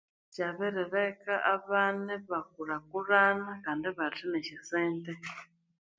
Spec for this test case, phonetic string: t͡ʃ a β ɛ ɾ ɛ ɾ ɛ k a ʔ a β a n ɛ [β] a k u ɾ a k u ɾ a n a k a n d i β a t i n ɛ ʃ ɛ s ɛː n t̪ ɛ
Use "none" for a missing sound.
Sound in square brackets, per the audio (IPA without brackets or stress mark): β